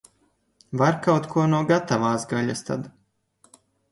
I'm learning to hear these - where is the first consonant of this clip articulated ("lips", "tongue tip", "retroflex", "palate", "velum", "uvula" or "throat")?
lips